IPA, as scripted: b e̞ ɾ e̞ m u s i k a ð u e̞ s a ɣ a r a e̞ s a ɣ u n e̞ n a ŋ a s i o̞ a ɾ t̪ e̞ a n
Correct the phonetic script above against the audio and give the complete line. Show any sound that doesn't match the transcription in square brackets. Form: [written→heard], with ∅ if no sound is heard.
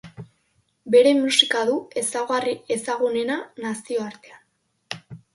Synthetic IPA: b e̞ ɾ e̞ m u s i k a ð u e̞ s a ɣ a r [a→i] e̞ s a ɣ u n e̞ n a [ŋ→n] a s i o̞ a ɾ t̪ e̞ a n

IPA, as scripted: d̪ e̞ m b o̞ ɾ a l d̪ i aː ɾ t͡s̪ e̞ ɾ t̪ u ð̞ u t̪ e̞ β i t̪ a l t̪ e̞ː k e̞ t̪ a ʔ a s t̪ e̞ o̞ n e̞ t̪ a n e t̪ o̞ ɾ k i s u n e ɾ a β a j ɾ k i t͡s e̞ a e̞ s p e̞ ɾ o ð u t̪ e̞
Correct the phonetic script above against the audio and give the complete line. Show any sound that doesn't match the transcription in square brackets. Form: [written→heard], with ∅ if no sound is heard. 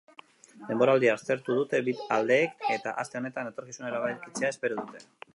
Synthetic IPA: d̪ e̞ m b o̞ ɾ a l d̪ i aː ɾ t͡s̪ e̞ ɾ t̪ u ð̞ u t̪ e̞ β i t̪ a l [t̪→d̪] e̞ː k e̞ t̪ a ʔ a s t̪ e̞ o̞ n e̞ t̪ a n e t̪ o̞ ɾ k i s u n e ɾ a β a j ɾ k i t͡s e̞ a e̞ s p e̞ ɾ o ð u t̪ e̞

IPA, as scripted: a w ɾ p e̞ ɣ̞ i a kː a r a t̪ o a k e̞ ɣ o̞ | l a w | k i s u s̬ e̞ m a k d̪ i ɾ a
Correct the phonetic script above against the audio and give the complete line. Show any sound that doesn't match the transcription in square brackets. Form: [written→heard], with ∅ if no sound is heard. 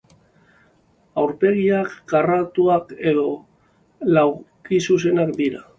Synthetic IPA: a w ɾ p e̞ ɣ̞ i a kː a r a t̪ [o→u] a k e̞ [ɣ→ð] o̞ | l a w | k i s u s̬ e̞ [m→n] a k d̪ i ɾ a

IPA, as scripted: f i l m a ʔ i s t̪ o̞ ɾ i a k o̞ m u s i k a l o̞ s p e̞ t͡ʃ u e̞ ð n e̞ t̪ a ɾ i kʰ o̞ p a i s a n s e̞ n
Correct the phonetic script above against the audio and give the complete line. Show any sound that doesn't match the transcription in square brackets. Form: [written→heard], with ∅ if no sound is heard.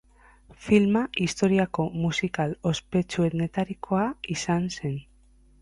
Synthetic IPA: f i l m a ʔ i s t̪ o̞ ɾ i a k o̞ m u s i k a l o̞ s p e̞ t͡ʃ u e̞ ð n e̞ t̪ a ɾ i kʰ o̞ [p→∅] a i s a n s e̞ n

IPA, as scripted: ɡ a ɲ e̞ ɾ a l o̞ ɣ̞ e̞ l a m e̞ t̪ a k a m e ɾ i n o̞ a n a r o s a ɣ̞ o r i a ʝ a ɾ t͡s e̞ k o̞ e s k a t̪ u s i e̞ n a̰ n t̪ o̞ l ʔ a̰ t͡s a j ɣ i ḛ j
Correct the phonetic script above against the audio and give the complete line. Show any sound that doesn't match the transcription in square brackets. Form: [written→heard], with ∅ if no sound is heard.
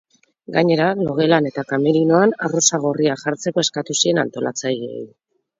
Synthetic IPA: ɡ a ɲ e̞ ɾ a l o̞ ɣ̞ e̞ l a [m→n] e̞ t̪ a k a m e ɾ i n o̞ a n a r o s a ɣ̞ o r i a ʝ a ɾ t͡s e̞ k o̞ e s k a t̪ u s i e̞ n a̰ n t̪ o̞ l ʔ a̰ t͡s a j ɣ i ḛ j

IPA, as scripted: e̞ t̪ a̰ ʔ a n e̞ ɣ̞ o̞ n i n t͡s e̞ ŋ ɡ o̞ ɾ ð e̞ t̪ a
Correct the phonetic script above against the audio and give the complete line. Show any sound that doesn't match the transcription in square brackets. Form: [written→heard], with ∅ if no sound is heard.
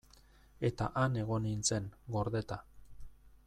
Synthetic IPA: e̞ t̪ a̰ ʔ a n e̞ ɣ̞ o̞ n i n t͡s e̞ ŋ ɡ o̞ ɾ ð e̞ t̪ a

